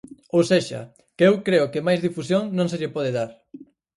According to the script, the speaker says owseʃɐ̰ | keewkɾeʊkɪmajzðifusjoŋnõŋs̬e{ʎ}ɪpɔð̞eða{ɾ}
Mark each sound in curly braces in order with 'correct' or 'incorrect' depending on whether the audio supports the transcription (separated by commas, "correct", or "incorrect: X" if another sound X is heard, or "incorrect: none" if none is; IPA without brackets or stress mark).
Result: correct, correct